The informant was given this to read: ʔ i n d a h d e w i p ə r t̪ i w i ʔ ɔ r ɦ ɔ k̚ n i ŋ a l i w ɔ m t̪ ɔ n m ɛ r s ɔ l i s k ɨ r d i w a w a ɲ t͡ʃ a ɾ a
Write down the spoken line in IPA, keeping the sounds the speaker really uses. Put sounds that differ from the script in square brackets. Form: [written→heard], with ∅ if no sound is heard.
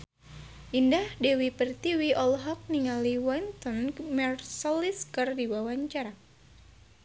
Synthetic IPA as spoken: ʔ i n d a h d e w i p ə r t̪ i w i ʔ ɔ [r→l] ɦ ɔ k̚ n i ŋ a l i w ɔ [m→n] t̪ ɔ n m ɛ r s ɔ l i s k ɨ r d i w a w a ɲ t͡ʃ a ɾ a